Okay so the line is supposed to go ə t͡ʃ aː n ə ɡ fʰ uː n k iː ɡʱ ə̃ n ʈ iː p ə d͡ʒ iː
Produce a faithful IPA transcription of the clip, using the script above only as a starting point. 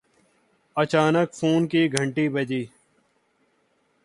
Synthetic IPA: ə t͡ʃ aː n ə k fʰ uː n k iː ɡʱ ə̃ ɳ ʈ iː b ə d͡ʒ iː